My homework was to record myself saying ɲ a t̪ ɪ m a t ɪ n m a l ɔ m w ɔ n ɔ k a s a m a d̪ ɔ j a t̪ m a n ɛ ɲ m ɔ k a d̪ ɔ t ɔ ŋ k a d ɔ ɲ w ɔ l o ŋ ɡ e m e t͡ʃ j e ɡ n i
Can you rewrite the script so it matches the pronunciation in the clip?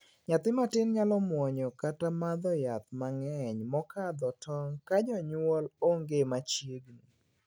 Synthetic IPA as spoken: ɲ a t̪ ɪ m a t ɪ n ɲ a l ɔ m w ɔ ɲ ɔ k a t a m a d̪ ɔ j a t̪ m a ŋ ɛ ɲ m ɔ k a d̪ ɔ t ɔ ŋ k a d͡ʒ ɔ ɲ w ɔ l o ŋ ɡ e m a t͡ʃ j e ɡ n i